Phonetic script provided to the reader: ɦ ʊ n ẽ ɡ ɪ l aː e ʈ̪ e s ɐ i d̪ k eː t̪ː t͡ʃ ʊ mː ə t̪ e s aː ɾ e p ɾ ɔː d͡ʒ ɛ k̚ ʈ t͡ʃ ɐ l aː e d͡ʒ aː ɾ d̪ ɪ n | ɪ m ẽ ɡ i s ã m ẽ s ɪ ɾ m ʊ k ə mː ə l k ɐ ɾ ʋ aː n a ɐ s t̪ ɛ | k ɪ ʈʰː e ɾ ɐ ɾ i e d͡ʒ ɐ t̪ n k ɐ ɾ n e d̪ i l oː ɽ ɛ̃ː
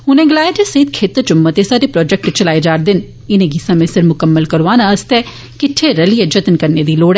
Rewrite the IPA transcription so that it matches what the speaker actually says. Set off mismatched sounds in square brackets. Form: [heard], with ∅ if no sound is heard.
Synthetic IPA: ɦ ʊ n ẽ ɡ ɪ l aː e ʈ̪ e s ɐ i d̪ [kʰ] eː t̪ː t͡ʃ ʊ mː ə t̪ e s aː ɾ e p ɾ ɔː d͡ʒ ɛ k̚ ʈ t͡ʃ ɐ l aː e d͡ʒ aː ɾ d̪ ɪ n | ɪ [n] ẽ ɡ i s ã m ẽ s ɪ ɾ m ʊ k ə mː ə l k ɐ ɾ ʋ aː n a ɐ s t̪ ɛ | k ɪ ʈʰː e ɾ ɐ [l] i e d͡ʒ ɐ t̪ n k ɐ ɾ n e d̪ i l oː ɽ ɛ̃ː